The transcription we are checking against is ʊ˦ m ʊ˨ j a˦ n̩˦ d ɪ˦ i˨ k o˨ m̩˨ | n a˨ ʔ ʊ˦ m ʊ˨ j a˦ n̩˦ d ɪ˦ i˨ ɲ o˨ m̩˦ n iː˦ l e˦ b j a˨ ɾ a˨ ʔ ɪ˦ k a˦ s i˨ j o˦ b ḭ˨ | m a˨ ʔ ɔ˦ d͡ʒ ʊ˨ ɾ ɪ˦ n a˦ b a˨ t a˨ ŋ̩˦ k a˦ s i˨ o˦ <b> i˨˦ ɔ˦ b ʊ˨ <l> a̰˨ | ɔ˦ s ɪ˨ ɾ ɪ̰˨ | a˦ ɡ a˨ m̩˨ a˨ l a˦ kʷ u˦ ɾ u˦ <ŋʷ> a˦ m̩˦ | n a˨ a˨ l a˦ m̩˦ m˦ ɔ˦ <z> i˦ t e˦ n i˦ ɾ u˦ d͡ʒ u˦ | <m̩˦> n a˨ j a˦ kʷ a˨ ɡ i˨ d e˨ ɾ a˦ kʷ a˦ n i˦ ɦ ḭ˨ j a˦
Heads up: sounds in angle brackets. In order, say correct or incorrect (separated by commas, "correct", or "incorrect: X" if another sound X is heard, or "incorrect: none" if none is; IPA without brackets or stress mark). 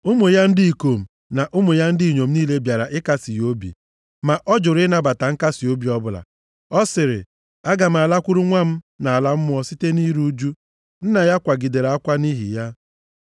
correct, correct, correct, incorrect: s, incorrect: n̩˦